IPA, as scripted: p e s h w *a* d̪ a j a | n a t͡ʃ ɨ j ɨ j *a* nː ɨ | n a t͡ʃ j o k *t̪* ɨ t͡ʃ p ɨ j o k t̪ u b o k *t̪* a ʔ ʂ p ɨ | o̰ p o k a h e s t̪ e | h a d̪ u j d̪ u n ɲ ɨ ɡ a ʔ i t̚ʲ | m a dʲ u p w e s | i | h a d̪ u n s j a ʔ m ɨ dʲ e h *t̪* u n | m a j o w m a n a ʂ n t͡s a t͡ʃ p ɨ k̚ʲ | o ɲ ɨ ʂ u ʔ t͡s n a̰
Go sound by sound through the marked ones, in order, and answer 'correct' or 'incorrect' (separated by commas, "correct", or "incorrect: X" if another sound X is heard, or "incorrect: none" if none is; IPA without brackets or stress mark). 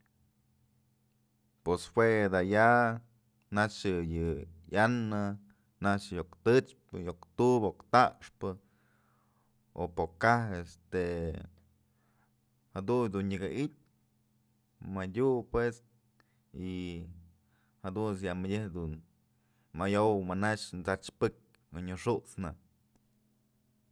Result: incorrect: e, correct, correct, correct, incorrect: d̪